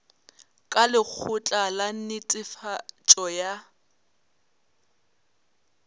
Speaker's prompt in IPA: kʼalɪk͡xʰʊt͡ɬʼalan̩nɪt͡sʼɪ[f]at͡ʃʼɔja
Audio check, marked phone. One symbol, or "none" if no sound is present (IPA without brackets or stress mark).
f